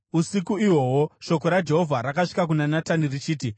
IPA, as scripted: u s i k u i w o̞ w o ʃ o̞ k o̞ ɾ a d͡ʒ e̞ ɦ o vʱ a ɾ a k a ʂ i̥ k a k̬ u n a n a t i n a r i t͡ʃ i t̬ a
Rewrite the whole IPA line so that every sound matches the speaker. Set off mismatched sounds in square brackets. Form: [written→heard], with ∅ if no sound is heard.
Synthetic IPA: u s i k u i w o̞ w o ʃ o̞ k o̞ ɾ a d͡ʒ e̞ ɦ o vʱ a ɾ a k a ʂ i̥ k a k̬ u n a n a t [i→a] n [a→i] r i t͡ʃ [i→iː] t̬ [a→i]